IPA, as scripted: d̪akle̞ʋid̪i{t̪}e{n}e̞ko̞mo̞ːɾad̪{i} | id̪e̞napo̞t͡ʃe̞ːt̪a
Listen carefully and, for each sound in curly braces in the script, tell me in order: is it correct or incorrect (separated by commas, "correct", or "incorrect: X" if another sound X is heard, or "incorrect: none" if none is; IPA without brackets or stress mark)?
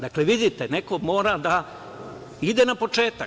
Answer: correct, correct, incorrect: a